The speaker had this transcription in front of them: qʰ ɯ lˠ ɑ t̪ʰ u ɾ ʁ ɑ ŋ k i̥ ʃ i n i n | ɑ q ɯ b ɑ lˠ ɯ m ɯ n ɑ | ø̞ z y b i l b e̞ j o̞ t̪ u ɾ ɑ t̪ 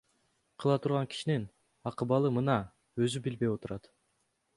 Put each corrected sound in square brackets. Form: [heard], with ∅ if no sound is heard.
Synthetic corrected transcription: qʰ ɯ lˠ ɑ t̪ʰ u ɾ ʁ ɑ ŋ k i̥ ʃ i n i n | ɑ q ɯ b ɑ lˠ ɯ m ɯ n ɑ | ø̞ z y b i l b e̞ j o̞ t̪ u ɾ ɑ t̪